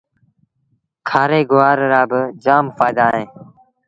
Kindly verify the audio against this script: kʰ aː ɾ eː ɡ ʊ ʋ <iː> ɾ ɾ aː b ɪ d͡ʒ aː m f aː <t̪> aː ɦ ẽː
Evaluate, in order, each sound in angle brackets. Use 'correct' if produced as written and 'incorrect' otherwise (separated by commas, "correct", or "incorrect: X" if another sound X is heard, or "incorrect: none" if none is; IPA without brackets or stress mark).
incorrect: aː, incorrect: d̪